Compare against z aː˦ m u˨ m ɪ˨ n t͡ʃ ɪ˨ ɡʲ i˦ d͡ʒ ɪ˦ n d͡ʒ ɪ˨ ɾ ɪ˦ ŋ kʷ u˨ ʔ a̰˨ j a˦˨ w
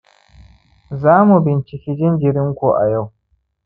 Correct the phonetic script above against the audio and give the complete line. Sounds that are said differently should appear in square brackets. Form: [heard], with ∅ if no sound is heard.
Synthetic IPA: z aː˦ m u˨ [b] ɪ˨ n t͡ʃ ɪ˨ [kʲ] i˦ d͡ʒ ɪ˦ n d͡ʒ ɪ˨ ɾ ɪ˦ ŋ kʷ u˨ ʔ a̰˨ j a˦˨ w